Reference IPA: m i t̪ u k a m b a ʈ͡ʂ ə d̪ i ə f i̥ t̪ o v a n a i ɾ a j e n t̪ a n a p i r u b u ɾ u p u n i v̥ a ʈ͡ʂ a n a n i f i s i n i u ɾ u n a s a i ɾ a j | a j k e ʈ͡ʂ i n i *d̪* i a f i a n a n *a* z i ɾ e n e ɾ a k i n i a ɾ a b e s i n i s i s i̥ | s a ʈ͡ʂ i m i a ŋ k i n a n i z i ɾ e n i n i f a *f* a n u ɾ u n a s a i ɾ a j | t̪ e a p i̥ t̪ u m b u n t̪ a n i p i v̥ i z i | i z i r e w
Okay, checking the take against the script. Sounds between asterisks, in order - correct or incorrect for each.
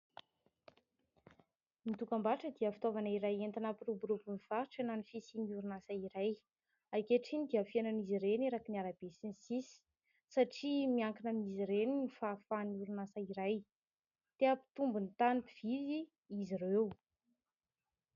correct, incorrect: i, correct

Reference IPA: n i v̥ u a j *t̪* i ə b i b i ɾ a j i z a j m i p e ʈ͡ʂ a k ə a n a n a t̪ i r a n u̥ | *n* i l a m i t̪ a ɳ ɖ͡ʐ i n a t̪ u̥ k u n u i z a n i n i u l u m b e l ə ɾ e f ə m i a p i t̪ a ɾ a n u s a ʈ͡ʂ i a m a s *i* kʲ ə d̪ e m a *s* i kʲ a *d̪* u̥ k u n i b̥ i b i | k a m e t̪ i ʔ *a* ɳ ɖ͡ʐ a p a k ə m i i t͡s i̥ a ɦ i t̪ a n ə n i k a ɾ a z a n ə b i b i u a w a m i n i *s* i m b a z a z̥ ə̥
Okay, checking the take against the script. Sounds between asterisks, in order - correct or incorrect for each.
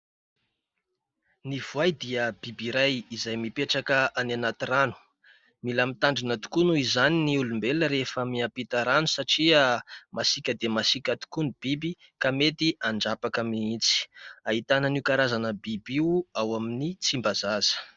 incorrect: d̪, incorrect: m, correct, correct, incorrect: t̪, correct, incorrect: t͡s

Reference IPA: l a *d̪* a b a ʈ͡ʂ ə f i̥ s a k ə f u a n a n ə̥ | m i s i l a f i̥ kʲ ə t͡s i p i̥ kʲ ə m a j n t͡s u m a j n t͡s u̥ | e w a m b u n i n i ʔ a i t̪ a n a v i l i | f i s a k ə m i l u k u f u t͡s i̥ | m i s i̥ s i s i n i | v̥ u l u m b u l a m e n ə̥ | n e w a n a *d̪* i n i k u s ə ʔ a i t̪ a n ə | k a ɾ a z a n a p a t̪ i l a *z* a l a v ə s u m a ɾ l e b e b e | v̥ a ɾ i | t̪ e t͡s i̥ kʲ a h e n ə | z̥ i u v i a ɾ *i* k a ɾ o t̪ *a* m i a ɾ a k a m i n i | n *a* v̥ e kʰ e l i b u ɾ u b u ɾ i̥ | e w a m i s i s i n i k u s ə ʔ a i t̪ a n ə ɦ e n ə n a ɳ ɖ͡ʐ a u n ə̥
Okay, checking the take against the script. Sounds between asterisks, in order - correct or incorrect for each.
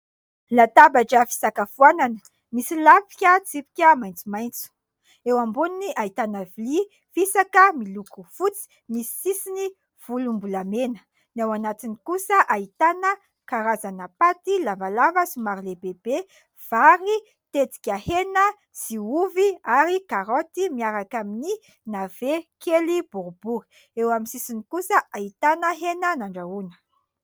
incorrect: t̪, incorrect: t̪, incorrect: v, correct, incorrect: i, correct

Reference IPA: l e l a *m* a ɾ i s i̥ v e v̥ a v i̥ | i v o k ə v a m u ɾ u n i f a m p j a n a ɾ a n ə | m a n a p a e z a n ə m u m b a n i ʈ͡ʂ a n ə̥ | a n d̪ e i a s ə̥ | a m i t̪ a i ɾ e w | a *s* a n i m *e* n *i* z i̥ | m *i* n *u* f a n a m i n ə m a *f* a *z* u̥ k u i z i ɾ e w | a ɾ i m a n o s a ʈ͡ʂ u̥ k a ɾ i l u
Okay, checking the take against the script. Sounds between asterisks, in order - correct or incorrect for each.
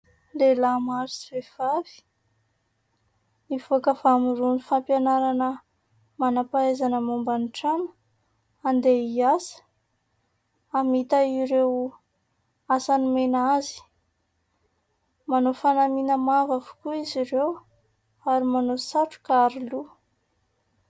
correct, correct, correct, incorrect: a, incorrect: a, incorrect: o, incorrect: v, incorrect: v

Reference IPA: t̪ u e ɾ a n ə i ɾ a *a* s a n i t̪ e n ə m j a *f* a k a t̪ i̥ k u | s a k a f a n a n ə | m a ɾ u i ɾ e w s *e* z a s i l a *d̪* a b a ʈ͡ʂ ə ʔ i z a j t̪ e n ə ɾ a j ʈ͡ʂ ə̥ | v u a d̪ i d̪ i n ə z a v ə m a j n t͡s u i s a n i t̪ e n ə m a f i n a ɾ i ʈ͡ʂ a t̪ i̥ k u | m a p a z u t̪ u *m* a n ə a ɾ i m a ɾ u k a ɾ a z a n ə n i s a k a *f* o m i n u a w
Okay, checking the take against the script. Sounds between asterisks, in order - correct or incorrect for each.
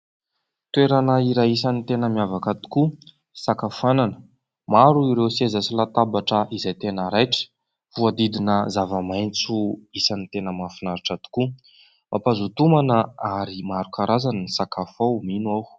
incorrect: i, incorrect: v, correct, incorrect: t̪, correct, correct

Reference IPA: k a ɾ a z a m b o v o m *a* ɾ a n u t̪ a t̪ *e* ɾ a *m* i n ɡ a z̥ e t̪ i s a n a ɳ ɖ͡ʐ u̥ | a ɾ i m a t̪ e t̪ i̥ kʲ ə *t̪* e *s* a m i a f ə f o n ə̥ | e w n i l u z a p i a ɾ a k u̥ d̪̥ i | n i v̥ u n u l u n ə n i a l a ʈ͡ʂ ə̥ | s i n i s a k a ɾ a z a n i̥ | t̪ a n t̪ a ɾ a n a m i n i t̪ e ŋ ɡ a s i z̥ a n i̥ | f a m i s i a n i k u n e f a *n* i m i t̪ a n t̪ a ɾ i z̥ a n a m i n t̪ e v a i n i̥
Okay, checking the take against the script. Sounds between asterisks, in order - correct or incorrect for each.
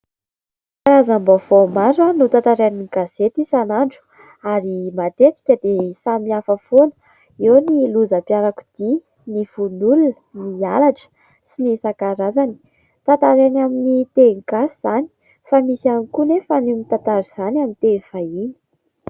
correct, incorrect: a, incorrect: n, incorrect: d̪, correct, correct

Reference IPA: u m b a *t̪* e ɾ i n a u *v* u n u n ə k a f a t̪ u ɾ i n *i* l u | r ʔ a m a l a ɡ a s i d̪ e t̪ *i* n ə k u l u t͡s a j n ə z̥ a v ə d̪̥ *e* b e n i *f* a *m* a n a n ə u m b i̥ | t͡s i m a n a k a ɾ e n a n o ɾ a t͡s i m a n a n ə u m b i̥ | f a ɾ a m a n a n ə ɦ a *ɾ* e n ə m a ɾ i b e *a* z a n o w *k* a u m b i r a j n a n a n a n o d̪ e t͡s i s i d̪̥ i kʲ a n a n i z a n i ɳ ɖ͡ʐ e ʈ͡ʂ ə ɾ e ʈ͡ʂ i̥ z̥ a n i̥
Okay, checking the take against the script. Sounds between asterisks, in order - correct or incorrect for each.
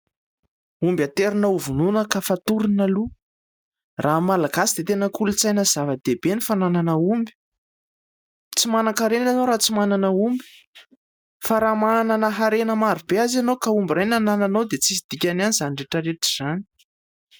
correct, correct, incorrect: a, incorrect: e, correct, correct, incorrect: n, correct, correct, correct

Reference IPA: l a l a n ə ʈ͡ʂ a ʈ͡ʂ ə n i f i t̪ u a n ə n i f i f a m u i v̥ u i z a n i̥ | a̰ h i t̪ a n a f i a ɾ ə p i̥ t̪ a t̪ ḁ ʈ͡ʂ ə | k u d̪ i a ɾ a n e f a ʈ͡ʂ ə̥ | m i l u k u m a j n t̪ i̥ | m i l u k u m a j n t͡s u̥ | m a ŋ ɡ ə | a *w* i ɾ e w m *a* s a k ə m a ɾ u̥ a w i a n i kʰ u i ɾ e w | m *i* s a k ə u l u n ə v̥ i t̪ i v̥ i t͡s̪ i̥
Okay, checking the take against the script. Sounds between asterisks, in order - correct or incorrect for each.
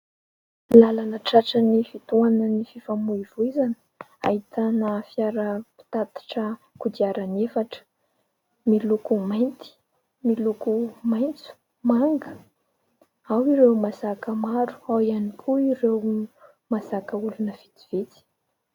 correct, correct, incorrect: a

